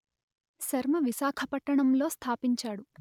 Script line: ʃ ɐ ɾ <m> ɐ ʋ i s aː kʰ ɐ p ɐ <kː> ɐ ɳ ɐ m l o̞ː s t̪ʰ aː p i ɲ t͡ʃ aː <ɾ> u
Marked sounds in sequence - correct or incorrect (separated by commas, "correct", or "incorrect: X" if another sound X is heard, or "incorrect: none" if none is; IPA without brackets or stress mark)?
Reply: correct, incorrect: ʈː, incorrect: ɽ